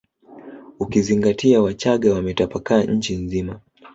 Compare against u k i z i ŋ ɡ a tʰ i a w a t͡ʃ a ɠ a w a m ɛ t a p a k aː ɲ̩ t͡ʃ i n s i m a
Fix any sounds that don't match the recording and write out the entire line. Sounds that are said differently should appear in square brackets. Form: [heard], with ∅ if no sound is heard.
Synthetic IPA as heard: u k i z i ŋ ɡ a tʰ i a w a t͡ʃ a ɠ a w a m ɛ t a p a k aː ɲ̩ t͡ʃ i n [z] i m a